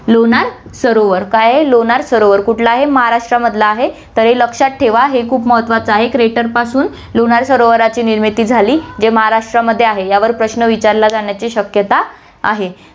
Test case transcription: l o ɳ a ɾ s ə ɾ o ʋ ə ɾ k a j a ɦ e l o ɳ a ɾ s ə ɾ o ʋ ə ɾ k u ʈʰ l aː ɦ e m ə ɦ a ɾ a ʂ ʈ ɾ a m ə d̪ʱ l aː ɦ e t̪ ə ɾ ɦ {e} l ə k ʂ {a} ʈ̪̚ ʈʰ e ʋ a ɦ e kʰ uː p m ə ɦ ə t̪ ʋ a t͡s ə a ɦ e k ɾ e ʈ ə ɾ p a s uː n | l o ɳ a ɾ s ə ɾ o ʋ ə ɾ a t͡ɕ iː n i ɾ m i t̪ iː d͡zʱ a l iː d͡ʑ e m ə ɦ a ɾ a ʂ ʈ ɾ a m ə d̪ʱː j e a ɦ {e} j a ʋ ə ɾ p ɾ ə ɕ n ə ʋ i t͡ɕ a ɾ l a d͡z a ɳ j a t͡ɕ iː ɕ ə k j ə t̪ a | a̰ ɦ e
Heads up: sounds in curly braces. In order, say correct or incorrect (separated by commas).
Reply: correct, correct, correct